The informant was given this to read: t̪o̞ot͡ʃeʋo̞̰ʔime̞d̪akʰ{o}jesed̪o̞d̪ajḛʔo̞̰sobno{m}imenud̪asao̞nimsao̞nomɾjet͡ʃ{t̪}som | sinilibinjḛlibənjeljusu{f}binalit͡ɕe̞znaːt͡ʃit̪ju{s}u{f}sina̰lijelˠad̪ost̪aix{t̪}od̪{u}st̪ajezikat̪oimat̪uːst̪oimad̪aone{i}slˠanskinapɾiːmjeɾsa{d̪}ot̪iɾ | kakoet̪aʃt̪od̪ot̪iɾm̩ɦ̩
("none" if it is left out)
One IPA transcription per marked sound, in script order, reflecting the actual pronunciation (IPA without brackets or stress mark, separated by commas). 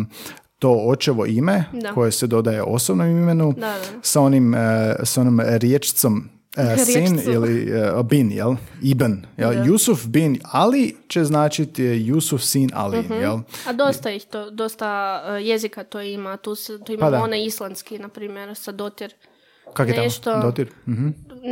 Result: o, m, t̪, f, s, f, t̪, o, i, d̪